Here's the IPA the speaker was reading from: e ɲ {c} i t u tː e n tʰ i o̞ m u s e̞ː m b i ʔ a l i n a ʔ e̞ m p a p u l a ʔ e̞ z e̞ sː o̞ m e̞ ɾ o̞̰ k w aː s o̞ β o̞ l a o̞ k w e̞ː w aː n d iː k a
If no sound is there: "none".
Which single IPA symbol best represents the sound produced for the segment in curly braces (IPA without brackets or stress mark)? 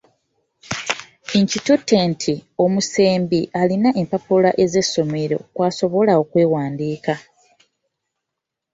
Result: c